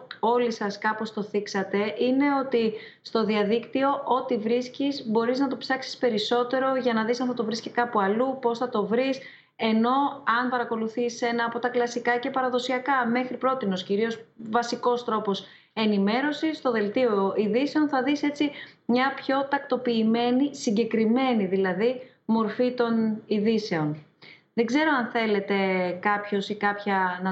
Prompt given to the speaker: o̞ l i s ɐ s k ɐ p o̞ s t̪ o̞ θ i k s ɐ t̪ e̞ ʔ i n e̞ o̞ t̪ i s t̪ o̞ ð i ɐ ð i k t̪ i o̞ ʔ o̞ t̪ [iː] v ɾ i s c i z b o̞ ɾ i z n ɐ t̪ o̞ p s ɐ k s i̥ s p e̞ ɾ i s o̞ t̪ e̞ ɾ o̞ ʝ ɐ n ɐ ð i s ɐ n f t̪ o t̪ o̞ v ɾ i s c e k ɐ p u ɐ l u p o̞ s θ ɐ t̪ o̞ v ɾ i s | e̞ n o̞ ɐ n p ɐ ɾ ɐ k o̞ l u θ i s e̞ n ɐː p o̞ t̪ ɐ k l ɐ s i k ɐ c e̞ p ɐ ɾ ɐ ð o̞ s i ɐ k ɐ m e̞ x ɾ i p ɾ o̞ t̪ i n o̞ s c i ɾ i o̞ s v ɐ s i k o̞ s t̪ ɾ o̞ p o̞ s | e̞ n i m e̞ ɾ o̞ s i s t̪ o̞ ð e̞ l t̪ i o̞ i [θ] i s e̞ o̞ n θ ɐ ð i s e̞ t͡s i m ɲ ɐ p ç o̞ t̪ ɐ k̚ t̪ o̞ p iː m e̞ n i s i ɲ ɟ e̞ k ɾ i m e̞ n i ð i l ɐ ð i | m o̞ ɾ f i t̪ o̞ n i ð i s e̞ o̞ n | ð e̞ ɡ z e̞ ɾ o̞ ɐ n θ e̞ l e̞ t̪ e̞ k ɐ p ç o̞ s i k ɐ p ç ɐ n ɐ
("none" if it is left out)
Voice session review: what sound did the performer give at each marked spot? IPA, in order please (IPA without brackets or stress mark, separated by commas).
i, ð